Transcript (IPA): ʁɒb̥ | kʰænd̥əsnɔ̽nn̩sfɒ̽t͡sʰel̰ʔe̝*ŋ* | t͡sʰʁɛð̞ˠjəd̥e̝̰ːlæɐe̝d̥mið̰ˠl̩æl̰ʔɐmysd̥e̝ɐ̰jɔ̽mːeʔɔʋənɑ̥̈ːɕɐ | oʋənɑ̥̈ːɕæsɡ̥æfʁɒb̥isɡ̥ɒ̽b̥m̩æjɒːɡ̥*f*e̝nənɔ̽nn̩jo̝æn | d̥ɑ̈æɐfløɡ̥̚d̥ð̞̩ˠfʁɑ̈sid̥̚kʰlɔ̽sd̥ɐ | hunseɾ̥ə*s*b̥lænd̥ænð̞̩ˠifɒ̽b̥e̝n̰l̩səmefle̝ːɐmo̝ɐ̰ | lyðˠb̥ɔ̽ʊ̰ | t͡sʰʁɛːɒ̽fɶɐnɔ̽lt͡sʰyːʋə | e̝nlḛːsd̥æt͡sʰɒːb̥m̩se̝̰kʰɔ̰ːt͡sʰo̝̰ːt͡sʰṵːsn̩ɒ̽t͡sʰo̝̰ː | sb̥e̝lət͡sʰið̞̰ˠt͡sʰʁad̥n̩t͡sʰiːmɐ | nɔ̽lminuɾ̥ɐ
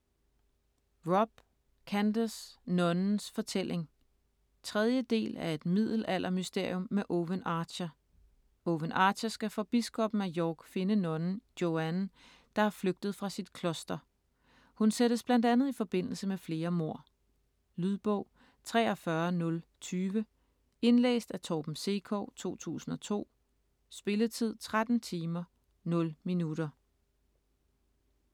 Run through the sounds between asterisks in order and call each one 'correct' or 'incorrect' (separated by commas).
correct, correct, correct